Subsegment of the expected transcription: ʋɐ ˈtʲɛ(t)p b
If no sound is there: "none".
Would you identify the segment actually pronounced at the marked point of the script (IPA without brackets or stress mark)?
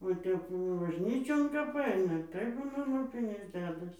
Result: none